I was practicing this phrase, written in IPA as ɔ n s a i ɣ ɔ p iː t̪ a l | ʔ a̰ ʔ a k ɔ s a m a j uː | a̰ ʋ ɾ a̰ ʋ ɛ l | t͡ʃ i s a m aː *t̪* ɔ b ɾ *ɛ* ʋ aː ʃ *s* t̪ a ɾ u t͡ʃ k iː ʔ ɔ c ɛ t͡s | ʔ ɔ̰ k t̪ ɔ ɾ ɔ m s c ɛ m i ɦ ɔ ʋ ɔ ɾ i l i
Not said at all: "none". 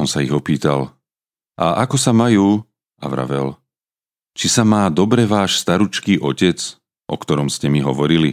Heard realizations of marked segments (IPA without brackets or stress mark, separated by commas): d̪, ɛ, s